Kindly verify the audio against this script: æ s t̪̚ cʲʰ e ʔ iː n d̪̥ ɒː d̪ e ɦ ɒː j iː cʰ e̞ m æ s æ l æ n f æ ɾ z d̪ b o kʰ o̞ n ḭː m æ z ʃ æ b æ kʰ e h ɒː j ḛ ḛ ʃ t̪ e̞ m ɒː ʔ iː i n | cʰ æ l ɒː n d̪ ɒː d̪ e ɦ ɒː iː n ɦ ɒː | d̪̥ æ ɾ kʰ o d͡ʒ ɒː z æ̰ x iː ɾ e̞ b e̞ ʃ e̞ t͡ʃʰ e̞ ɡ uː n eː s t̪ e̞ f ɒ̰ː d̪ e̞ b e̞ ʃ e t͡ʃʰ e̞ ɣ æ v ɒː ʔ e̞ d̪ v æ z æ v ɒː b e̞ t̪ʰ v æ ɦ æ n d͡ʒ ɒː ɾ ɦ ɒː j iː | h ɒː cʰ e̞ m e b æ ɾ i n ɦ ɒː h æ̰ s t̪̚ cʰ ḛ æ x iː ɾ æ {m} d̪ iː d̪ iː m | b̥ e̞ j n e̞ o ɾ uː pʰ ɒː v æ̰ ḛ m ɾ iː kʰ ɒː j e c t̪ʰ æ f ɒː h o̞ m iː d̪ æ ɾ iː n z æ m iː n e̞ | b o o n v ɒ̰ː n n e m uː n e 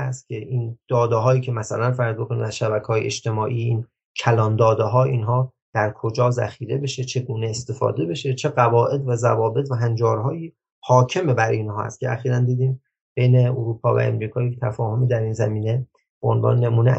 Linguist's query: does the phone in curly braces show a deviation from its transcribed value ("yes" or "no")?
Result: yes